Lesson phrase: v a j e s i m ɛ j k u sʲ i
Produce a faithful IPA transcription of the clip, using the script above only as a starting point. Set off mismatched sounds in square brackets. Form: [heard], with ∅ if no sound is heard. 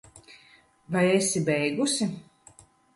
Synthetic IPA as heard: v a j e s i [b] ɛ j [ɡ] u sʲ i